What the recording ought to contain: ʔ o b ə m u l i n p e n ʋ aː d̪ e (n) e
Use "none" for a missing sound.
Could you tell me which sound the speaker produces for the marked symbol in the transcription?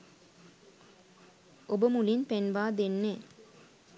nː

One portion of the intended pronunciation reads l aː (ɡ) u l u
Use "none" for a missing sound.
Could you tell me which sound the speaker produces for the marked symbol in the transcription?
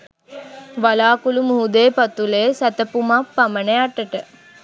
k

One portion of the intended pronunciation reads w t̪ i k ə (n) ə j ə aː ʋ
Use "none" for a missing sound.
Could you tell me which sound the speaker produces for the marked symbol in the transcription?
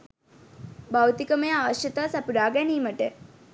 m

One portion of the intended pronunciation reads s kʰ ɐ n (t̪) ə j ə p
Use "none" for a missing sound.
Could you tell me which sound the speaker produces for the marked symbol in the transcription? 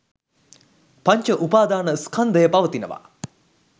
d̪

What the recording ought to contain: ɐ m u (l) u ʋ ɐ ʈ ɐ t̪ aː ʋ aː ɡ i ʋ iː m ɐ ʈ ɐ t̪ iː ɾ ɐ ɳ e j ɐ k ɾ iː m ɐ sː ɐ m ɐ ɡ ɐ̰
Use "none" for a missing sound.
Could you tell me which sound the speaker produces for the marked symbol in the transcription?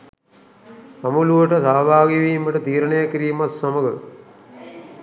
l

